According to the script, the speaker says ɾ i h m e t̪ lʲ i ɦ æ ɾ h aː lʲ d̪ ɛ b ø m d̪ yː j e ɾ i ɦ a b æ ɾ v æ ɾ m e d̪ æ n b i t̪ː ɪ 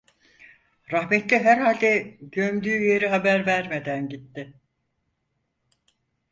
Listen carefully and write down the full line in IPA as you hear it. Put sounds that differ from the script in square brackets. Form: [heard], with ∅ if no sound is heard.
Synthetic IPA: ɾ [a] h m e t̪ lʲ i ɦ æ ɾ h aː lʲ d̪ ɛ [ɟ] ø m d̪ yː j e ɾ i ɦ a b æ ɾ v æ ɾ m e d̪ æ n [ɟ] i t̪ː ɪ